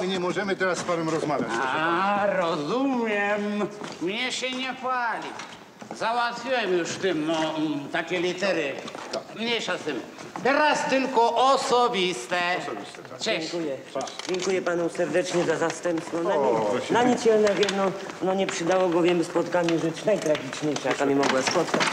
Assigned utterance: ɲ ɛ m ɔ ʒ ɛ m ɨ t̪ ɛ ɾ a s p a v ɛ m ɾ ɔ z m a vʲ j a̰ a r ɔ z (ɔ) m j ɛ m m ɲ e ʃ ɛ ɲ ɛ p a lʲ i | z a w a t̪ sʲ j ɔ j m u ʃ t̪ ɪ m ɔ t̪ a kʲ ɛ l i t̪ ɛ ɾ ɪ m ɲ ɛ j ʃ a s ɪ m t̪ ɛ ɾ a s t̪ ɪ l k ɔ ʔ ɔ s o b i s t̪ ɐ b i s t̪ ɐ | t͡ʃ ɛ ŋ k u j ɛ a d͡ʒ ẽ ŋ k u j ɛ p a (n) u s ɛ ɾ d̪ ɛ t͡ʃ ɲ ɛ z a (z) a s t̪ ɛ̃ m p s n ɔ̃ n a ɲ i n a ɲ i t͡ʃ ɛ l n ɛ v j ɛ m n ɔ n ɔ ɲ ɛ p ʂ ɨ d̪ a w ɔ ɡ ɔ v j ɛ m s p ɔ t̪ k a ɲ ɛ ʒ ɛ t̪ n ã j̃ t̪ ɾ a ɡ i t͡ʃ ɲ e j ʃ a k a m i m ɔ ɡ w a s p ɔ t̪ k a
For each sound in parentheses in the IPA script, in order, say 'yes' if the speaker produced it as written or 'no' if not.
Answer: no, yes, yes

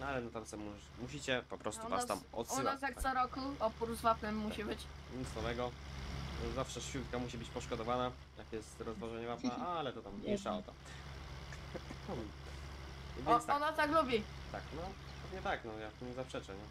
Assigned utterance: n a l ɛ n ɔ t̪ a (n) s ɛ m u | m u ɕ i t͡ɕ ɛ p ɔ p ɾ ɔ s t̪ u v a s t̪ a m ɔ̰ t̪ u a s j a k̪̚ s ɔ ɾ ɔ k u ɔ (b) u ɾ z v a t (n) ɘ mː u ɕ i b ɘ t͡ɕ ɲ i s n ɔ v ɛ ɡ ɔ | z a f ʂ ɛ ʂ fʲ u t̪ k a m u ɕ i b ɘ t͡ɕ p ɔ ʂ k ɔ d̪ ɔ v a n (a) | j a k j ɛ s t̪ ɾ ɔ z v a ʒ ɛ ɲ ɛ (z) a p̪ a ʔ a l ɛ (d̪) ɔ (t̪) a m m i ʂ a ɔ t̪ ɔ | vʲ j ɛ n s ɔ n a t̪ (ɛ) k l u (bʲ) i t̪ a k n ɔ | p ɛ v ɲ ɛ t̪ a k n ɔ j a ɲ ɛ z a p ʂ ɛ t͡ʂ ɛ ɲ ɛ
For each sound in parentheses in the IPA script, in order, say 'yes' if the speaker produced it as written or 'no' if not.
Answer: no, no, yes, yes, no, no, yes, no, yes

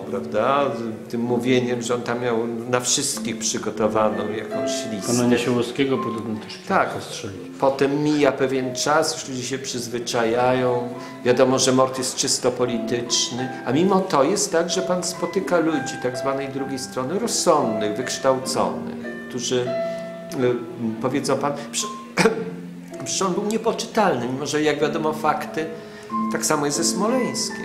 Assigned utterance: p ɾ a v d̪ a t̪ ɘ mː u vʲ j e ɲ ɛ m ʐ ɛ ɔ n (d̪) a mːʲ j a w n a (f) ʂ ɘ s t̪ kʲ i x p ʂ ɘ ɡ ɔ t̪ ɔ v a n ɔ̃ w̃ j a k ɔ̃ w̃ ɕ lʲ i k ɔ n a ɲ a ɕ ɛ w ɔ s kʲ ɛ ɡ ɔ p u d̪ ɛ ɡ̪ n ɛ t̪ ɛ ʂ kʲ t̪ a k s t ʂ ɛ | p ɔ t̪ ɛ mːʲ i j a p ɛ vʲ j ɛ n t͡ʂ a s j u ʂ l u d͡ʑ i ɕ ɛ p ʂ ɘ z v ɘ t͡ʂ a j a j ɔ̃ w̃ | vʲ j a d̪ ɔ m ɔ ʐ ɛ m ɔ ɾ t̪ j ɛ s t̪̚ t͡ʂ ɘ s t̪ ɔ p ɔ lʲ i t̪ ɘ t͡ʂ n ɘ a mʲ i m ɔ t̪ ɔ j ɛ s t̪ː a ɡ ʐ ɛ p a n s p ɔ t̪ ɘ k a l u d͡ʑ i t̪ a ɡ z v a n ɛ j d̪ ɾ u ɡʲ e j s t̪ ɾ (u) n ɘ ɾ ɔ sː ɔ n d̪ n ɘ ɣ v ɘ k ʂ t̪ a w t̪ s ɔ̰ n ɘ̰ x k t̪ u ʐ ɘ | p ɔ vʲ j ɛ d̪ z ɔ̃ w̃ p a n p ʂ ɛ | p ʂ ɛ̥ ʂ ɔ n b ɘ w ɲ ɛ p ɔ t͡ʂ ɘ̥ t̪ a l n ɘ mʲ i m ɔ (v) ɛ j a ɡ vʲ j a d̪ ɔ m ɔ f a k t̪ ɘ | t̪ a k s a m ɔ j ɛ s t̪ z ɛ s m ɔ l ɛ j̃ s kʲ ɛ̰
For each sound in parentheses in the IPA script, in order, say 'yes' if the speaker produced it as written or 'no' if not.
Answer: no, yes, no, no

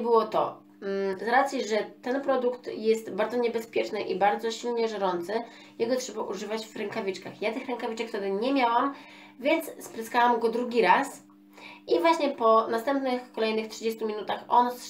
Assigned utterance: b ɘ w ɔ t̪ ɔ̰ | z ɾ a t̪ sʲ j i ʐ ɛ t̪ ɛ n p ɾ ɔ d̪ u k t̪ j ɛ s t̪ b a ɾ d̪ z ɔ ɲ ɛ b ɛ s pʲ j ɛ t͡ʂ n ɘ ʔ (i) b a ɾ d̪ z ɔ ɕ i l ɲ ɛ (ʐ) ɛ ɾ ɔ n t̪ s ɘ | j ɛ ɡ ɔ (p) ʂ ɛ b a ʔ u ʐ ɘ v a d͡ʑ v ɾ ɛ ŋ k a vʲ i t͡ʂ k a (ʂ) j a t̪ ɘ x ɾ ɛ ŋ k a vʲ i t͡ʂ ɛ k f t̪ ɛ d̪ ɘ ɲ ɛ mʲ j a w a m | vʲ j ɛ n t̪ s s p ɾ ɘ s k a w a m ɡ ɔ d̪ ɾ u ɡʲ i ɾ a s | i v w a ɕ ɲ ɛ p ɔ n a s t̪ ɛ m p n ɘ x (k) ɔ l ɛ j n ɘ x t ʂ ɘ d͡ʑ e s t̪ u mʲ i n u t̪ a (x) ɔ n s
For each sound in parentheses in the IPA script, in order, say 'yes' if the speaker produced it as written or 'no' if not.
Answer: yes, yes, no, no, yes, yes

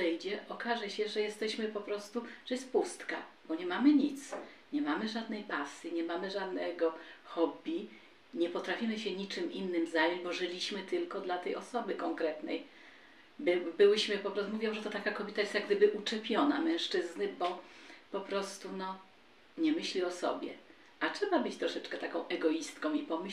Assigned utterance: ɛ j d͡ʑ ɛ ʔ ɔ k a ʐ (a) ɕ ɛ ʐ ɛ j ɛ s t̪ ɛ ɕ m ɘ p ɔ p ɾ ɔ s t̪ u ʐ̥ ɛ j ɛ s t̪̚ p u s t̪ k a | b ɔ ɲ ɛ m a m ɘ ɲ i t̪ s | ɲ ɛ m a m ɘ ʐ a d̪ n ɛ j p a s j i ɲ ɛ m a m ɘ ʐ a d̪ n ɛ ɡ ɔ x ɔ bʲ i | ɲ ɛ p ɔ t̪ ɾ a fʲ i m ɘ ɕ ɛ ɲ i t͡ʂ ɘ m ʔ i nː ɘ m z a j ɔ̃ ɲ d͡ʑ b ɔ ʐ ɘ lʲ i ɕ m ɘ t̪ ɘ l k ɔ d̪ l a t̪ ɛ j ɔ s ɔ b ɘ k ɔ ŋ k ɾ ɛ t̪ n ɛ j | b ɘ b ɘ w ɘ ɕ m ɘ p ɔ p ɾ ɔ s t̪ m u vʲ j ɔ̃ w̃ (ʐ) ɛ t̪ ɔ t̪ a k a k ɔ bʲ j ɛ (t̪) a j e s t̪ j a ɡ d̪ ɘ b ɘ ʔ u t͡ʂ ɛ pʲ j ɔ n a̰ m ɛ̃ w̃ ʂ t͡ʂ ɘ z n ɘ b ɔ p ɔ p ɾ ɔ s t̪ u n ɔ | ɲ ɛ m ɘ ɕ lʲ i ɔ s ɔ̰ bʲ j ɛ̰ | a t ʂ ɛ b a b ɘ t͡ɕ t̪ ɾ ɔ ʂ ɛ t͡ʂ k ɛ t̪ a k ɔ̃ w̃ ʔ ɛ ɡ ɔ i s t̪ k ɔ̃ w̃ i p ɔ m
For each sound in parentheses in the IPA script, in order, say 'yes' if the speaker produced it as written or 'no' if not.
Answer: no, yes, yes

